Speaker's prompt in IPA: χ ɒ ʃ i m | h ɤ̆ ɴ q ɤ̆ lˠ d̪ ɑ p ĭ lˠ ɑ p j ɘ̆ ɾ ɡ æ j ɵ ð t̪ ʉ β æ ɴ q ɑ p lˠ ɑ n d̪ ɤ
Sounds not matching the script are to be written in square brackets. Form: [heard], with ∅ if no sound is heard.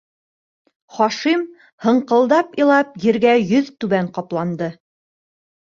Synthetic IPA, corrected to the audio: χ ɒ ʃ i m | h ɤ̆ ɴ q ɤ̆ lˠ d̪ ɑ p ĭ lˠ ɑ p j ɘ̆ ɾ ɡ æ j ɵ ð t̪ ʉ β æ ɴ q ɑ p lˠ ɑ n d̪ ɤ